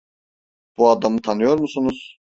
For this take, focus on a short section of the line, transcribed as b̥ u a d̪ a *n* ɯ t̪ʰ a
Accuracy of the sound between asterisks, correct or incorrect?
incorrect